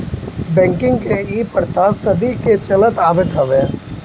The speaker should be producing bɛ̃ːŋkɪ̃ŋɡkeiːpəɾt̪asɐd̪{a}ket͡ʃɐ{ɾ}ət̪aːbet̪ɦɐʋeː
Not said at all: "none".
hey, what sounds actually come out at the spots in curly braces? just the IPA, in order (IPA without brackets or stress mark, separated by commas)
i, l